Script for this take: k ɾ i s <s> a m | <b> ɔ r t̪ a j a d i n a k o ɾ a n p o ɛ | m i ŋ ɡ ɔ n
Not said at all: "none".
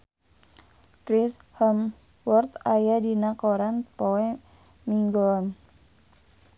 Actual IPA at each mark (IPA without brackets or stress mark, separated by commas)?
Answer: h, w